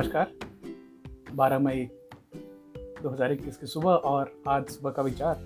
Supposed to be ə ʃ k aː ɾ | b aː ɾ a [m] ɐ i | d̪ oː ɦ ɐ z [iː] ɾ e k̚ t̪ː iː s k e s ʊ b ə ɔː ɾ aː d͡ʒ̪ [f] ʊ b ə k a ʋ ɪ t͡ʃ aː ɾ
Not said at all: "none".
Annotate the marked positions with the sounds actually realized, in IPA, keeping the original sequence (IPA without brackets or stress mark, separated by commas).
m, aː, s